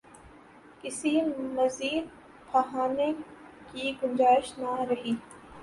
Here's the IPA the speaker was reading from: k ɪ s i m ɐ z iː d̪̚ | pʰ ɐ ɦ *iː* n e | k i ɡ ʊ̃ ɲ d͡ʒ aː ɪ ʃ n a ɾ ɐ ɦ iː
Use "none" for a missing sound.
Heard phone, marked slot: aː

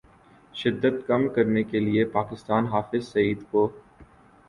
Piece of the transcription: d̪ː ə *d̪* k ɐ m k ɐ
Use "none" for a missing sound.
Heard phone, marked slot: t̪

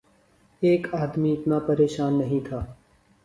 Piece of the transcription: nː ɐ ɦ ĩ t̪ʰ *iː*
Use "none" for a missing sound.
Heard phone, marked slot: aː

